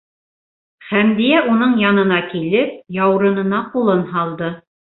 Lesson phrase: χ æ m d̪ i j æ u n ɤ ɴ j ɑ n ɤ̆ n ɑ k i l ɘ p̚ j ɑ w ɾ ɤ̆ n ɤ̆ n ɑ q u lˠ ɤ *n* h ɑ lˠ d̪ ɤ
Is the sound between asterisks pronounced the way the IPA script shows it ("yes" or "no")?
yes